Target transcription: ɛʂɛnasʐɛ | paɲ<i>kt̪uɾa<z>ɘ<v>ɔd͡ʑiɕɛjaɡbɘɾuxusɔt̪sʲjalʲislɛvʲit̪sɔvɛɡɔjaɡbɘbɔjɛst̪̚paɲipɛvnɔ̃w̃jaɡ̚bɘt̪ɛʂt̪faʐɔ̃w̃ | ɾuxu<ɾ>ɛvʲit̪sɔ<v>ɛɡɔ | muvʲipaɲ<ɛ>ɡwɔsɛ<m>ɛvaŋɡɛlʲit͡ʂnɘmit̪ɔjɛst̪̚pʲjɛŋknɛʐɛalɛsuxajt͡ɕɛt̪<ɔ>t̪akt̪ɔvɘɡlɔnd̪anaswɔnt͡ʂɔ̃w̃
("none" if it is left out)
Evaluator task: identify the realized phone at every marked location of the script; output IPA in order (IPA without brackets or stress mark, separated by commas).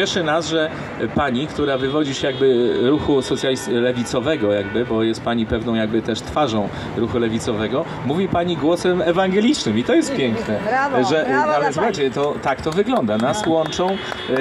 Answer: i, v, v, l, v, i, m, ɔ